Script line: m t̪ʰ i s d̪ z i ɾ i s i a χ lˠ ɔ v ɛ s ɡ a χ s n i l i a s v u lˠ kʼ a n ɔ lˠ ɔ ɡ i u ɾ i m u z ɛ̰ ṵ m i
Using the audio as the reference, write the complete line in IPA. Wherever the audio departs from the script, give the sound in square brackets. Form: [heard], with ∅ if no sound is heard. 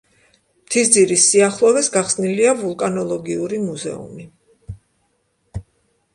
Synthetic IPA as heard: m t̪ʰ i s d̪ z i ɾ i s i a χ lˠ ɔ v ɛ s ɡ a χ s n i l i a [∅] v u lˠ kʼ a n ɔ lˠ ɔ ɡ i u ɾ i m u z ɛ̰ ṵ m i